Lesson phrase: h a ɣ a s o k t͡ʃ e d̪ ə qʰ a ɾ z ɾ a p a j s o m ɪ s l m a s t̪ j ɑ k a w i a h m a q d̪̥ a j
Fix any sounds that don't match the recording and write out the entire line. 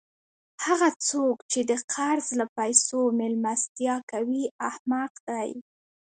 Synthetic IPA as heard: h a ɣ a t͡s o k t͡ʃ e d̪ ə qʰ a ɾ z l a p a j s o m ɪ l m a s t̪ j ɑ k a w i a h m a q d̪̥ a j